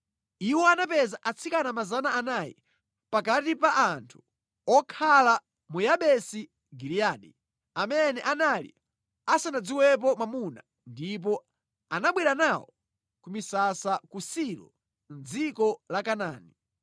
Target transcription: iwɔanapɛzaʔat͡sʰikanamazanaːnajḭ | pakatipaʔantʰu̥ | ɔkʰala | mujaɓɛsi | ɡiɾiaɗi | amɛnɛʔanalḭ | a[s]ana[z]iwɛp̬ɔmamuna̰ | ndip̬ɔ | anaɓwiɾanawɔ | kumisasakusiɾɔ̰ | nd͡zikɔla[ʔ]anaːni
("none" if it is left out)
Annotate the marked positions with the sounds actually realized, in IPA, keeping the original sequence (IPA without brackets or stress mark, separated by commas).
s, d͡z, k